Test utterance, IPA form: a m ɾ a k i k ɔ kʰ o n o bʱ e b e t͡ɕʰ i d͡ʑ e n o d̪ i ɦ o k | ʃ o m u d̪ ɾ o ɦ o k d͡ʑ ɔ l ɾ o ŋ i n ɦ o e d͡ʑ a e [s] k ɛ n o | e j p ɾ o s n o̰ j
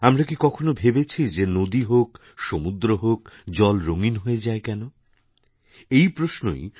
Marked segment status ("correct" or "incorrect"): incorrect